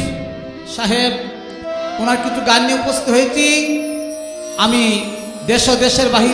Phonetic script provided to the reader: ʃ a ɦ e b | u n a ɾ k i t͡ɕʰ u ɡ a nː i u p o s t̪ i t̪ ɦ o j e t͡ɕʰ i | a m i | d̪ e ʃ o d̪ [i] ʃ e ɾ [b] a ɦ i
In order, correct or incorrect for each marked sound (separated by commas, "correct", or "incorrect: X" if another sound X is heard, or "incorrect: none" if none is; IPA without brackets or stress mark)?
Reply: incorrect: e, correct